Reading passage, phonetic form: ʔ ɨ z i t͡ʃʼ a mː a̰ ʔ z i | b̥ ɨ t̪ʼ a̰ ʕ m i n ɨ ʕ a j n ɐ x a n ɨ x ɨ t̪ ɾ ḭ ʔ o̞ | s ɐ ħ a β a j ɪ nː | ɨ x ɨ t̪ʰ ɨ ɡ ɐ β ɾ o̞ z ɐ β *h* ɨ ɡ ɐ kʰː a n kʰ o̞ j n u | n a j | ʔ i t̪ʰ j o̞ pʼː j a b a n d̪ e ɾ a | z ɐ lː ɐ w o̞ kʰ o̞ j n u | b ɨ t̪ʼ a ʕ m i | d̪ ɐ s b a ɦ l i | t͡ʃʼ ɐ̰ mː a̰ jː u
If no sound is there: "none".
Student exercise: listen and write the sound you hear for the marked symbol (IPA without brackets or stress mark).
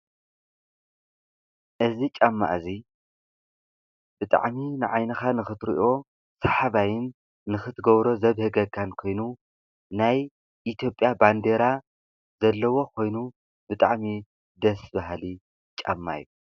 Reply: h